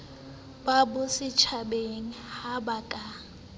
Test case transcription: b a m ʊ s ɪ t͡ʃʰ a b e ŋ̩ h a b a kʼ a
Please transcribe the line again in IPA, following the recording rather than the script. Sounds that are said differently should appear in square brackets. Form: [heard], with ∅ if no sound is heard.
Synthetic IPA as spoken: b a [b] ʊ s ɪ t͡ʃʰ a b e ŋ̩ h a b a kʼ a